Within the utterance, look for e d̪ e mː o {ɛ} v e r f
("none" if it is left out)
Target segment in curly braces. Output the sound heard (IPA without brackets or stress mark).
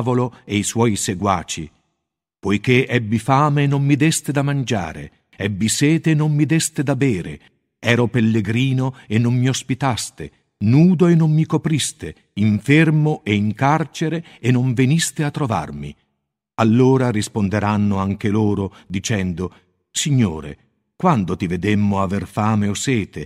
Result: a